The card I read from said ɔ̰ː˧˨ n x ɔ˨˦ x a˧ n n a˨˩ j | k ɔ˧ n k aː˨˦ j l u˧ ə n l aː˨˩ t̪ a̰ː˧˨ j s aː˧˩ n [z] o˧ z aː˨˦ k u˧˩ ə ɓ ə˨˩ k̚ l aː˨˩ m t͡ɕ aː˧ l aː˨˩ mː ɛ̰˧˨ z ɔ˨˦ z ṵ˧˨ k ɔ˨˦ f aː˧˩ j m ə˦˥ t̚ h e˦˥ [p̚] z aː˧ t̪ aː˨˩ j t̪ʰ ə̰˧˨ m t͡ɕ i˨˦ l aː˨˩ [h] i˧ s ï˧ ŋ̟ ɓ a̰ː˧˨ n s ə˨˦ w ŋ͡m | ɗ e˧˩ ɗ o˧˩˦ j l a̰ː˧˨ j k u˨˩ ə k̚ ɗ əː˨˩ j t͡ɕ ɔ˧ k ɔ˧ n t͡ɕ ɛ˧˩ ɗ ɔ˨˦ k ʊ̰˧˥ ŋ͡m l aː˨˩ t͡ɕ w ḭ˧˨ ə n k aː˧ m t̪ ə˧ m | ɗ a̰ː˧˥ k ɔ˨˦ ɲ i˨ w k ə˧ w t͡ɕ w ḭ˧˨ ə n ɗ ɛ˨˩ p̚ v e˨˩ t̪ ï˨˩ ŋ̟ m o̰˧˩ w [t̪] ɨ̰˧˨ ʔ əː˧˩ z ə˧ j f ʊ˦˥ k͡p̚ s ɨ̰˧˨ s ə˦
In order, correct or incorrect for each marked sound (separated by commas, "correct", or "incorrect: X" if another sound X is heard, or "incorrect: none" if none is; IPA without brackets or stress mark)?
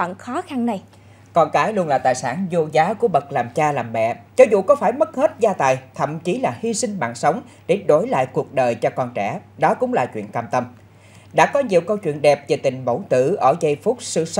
correct, incorrect: t̚, correct, correct